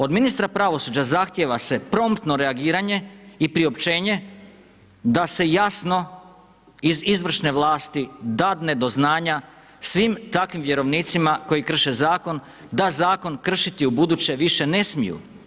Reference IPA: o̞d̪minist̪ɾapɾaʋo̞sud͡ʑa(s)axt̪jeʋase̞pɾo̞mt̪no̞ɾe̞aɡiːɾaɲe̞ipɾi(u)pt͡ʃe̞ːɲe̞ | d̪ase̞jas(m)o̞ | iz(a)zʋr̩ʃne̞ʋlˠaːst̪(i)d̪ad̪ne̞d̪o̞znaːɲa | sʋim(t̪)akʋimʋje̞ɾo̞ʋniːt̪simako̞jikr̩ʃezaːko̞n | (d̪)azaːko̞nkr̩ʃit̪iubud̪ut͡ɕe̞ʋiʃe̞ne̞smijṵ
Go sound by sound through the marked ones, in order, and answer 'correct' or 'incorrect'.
incorrect, incorrect, incorrect, incorrect, correct, correct, correct

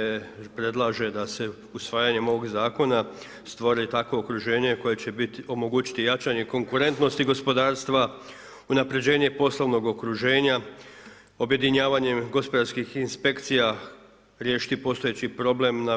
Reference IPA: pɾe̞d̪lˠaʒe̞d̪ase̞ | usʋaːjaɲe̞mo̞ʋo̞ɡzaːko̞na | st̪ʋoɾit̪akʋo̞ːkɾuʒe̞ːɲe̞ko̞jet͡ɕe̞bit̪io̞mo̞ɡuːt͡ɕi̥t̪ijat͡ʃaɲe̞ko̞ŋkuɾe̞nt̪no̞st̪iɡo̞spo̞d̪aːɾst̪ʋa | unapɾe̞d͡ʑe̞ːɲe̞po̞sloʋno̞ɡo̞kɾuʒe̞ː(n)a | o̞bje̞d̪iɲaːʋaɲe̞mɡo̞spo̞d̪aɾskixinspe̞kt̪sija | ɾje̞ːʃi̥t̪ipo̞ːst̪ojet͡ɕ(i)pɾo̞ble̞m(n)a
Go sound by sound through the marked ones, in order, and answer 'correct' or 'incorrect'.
incorrect, correct, correct

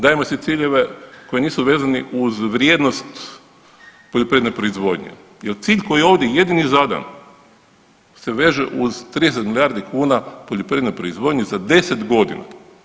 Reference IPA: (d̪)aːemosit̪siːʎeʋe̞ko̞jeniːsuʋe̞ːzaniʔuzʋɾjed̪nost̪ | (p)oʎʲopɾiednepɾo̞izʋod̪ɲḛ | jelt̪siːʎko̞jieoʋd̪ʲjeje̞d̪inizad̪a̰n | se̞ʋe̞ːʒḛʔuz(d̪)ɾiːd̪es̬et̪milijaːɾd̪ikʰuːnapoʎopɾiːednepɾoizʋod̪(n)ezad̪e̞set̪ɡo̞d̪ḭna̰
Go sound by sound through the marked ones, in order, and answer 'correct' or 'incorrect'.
correct, correct, incorrect, incorrect

